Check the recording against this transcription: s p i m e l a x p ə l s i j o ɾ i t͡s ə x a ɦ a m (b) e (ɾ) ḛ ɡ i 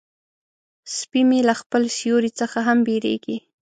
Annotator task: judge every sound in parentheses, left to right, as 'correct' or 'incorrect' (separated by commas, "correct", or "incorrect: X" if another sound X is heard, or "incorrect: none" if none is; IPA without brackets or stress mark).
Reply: correct, correct